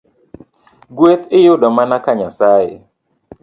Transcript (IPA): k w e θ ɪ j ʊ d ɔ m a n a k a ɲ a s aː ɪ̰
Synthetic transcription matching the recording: ɡ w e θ ɪ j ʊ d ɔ m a n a k a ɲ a s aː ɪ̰